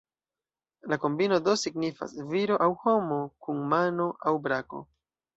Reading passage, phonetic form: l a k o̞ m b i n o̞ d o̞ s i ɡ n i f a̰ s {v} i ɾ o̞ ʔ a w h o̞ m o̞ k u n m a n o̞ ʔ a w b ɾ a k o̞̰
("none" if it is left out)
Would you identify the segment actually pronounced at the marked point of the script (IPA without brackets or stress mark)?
v